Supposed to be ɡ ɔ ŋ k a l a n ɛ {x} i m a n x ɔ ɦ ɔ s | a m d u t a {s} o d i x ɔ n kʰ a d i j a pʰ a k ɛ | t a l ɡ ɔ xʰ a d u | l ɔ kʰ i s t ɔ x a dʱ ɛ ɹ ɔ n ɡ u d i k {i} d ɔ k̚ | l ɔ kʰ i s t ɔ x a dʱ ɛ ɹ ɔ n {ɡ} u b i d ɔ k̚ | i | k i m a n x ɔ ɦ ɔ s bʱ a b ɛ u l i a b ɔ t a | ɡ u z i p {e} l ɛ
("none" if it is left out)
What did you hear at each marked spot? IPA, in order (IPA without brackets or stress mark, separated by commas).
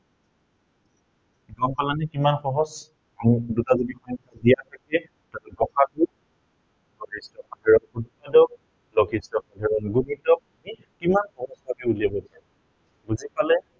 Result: k, z, a, ɡ, a